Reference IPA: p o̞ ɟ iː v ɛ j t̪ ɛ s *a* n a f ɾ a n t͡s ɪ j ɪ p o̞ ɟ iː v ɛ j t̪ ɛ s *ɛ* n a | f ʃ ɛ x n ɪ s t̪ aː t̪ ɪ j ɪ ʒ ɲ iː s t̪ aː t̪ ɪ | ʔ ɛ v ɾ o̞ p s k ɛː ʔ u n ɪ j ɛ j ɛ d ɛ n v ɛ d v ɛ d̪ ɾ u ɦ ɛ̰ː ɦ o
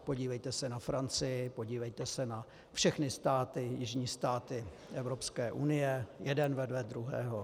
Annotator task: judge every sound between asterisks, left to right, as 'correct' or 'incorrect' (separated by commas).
incorrect, correct